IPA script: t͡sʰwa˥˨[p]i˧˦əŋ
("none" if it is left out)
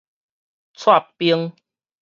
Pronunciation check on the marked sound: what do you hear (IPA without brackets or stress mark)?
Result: p